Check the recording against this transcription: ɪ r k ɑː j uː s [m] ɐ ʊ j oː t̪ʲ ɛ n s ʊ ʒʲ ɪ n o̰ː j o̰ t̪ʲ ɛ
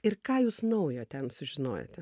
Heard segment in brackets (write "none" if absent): n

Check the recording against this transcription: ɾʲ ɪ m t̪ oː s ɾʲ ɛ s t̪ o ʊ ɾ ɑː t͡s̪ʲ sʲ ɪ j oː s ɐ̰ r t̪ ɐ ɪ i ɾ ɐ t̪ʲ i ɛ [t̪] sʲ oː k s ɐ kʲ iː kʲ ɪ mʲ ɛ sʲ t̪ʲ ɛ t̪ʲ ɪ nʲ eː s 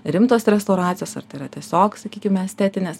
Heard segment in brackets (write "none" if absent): none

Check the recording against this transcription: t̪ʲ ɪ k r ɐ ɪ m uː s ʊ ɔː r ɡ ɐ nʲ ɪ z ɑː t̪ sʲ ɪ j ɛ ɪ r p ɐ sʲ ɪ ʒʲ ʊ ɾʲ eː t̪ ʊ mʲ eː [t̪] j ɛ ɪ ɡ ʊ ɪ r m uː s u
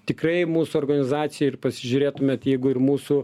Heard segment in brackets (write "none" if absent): t̪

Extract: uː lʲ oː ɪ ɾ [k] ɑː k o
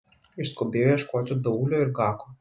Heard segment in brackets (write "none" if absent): ɡ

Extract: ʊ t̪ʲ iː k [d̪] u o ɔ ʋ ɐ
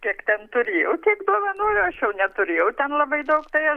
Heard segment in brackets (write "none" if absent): d̪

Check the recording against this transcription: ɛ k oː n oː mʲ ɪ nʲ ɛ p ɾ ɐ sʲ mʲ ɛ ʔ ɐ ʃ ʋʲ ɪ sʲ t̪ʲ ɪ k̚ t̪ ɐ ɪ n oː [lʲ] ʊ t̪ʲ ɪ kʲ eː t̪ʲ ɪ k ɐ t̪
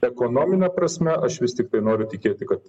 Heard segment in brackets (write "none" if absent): ɾʲ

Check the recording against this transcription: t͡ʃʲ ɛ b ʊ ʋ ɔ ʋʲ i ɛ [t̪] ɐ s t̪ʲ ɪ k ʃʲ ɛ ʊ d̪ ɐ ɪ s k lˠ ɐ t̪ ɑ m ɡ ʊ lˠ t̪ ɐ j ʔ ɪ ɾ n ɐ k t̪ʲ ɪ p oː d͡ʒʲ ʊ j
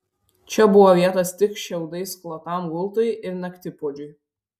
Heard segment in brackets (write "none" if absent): t̪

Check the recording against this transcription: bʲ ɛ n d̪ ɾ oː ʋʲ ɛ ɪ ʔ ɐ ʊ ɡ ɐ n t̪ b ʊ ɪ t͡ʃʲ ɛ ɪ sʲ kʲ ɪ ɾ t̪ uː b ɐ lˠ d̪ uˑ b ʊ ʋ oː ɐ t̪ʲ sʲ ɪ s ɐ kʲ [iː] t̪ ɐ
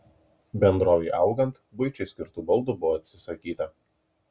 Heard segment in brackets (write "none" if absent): iː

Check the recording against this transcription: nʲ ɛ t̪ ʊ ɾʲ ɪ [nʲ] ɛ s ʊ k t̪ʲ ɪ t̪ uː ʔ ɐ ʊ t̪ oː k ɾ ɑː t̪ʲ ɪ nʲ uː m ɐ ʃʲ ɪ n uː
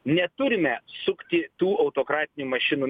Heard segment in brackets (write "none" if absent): mʲ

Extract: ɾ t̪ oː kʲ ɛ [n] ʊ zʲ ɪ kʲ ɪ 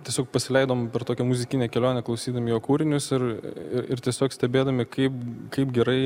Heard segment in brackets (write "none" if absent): m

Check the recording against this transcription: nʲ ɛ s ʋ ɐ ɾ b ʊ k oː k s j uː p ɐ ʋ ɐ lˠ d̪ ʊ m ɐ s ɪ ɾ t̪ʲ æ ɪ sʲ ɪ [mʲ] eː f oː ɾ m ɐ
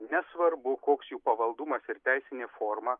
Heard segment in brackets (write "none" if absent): nʲ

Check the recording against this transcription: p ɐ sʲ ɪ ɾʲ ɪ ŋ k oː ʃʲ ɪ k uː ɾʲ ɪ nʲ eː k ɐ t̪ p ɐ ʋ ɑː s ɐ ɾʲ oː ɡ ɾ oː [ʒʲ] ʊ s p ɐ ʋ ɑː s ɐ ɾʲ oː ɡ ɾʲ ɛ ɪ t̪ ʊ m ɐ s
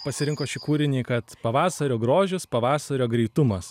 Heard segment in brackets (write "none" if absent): ʒʲ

